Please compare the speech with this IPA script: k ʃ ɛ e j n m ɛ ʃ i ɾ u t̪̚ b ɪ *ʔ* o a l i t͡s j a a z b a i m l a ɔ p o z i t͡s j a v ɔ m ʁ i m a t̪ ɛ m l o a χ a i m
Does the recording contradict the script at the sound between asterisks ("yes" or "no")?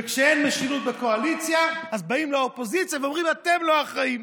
yes